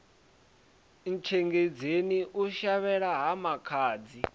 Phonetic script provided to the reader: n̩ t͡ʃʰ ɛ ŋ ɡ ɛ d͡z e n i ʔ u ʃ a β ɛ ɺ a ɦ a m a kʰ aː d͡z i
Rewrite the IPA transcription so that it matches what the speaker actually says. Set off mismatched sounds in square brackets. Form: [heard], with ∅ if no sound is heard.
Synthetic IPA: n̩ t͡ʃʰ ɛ ŋ ɡ [e] d͡z e n i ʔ u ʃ a β ɛ ɺ a ɦ a m a kʰ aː d͡z i